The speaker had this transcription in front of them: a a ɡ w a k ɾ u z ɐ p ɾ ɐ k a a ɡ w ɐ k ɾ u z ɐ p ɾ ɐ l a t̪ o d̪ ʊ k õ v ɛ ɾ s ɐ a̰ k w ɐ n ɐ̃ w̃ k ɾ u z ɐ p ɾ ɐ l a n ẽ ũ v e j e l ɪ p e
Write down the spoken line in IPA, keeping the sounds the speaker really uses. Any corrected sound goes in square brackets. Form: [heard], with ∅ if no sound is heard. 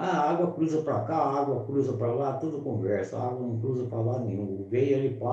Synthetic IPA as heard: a a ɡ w [ɐ] k ɾ u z ɐ p ɾ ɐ k a a ɡ w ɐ k ɾ u z ɐ p ɾ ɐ l a t̪ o d̪ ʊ k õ v ɛ ɾ s ɐ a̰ [ɡ] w ɐ n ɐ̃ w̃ k ɾ u z ɐ p ɾ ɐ l a n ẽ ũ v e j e l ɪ p [a]